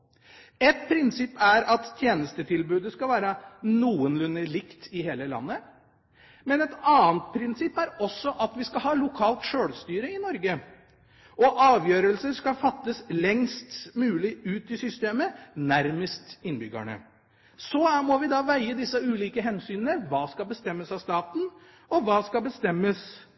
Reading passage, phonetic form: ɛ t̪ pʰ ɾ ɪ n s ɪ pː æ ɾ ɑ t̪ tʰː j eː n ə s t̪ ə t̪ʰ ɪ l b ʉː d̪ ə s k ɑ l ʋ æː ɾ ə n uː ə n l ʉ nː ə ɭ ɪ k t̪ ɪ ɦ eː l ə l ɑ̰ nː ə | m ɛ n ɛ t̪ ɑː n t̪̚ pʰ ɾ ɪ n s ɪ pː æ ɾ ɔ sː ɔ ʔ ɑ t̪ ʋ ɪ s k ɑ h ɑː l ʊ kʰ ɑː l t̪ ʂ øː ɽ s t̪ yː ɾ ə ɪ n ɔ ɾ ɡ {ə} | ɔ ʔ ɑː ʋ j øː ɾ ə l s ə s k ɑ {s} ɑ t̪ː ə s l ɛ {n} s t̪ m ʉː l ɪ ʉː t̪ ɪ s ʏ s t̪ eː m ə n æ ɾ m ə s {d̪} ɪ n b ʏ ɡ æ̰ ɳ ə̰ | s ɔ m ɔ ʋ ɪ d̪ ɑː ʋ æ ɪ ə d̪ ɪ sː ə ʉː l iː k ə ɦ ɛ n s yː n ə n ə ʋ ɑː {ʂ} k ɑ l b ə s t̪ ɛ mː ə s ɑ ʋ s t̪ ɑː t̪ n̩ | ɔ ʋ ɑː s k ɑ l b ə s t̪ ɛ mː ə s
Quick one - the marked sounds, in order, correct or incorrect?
correct, incorrect, incorrect, incorrect, incorrect

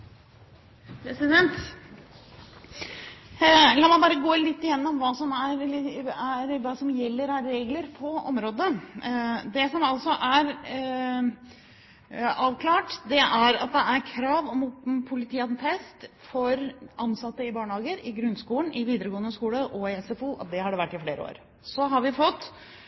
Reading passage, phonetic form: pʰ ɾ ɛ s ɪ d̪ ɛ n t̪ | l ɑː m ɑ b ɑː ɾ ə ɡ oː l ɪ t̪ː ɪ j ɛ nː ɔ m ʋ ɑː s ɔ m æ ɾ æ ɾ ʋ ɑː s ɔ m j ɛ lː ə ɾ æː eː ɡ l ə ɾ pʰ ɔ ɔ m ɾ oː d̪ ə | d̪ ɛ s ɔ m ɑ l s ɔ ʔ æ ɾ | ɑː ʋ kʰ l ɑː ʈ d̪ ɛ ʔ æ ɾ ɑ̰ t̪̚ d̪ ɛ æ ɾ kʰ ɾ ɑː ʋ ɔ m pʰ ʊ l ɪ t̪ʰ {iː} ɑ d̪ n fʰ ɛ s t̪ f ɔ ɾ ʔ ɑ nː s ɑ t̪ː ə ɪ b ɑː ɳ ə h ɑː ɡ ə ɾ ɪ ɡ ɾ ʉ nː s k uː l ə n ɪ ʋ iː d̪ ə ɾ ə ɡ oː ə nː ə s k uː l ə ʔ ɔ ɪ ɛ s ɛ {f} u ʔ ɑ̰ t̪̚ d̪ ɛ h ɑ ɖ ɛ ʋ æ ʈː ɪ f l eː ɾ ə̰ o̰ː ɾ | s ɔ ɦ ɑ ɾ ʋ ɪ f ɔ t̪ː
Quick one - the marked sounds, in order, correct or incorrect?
correct, correct

